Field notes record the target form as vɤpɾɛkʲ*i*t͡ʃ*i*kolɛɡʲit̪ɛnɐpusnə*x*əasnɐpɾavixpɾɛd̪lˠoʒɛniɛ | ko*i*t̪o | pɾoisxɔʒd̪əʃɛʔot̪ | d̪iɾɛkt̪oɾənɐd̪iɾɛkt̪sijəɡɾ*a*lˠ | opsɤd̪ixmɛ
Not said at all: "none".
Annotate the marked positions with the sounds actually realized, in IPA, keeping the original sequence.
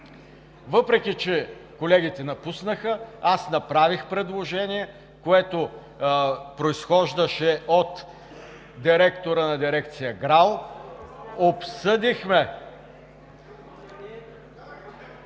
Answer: i, ɛ, x, ɛ, a

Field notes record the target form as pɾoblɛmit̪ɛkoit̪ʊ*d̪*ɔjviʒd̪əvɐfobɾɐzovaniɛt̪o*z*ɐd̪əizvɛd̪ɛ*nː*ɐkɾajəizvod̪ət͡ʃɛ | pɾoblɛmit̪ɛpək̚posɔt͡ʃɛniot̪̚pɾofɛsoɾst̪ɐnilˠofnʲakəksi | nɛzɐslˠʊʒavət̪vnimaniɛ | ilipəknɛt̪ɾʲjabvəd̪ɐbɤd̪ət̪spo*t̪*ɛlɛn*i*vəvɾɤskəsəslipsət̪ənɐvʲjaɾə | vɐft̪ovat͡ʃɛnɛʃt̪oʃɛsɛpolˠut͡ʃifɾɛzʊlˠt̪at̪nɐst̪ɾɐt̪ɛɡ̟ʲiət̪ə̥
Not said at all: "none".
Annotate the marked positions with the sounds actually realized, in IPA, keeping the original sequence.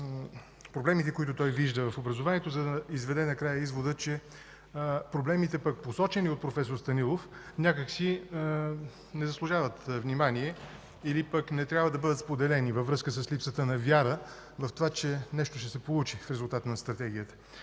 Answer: t̪, z, n, d̪, i

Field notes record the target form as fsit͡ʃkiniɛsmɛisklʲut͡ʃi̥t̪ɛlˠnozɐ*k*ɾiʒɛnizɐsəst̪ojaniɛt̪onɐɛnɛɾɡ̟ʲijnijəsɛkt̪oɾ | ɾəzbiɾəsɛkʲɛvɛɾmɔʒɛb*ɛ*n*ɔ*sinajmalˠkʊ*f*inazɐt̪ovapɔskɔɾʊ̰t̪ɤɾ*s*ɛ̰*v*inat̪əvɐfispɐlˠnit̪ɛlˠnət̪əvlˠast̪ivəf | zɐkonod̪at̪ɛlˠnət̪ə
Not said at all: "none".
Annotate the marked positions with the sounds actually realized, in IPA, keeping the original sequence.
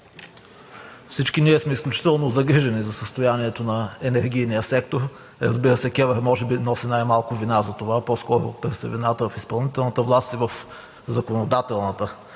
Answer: ɡ, i, ɔ, v, s, v

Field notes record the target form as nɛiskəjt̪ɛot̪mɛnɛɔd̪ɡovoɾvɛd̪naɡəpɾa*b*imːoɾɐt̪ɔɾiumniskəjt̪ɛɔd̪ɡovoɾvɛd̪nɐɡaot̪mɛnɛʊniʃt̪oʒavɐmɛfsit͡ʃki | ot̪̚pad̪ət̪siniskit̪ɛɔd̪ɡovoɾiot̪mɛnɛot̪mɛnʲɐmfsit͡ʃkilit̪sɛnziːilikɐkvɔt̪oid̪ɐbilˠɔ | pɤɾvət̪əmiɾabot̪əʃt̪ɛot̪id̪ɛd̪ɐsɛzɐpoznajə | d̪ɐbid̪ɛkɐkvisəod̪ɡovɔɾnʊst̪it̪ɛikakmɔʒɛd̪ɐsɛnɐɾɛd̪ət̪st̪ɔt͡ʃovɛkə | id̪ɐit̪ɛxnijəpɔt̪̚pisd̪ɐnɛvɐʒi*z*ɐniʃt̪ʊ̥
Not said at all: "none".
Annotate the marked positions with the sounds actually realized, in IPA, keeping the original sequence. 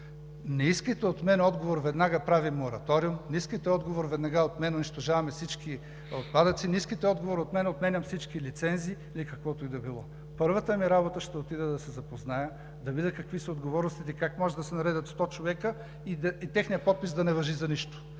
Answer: v, z

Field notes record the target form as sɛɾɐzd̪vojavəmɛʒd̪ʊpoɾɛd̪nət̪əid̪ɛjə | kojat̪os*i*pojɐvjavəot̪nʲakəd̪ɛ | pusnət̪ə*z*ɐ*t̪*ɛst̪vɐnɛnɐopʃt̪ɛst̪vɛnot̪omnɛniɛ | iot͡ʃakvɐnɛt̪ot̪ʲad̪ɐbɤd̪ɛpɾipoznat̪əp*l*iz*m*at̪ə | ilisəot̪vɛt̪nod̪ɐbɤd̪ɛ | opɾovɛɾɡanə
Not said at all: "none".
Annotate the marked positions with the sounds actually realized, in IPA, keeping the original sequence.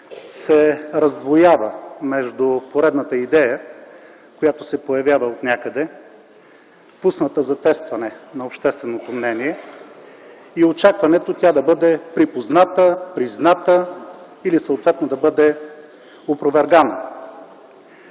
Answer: ɛ, z, t̪, ɾ, n

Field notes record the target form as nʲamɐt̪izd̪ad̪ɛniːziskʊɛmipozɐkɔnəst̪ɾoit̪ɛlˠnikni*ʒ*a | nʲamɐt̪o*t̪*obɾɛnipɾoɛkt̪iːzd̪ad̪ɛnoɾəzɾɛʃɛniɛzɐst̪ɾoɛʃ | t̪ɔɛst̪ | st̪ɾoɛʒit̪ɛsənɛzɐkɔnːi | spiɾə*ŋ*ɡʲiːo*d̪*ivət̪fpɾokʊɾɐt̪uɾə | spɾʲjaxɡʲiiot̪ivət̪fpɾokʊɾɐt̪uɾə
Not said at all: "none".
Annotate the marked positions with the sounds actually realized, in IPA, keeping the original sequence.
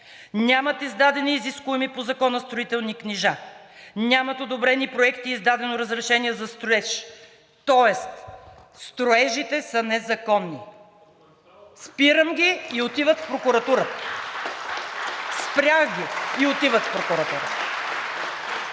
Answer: ʒ, d̪, m, t̪

